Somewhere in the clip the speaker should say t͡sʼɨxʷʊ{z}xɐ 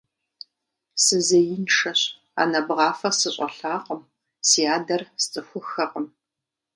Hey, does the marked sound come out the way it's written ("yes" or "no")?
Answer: no